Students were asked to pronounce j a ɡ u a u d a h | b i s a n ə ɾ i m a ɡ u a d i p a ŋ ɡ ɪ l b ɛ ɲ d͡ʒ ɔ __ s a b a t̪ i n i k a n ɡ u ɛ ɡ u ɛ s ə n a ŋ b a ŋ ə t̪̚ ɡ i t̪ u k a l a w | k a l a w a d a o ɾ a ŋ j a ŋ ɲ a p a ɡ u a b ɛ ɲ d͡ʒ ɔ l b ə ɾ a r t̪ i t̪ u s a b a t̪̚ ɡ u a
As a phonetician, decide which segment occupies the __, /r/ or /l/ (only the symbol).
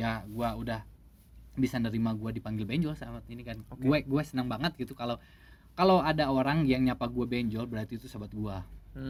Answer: l